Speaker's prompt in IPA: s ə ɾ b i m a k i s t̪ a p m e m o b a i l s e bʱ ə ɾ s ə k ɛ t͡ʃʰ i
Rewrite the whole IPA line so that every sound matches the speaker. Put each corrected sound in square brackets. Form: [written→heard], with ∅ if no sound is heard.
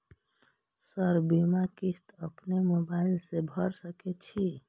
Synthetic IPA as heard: s ə ɾ b i m a k i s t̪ [a→ə] p [m→n] e m o b a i l s e bʱ ə ɾ s ə k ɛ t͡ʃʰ i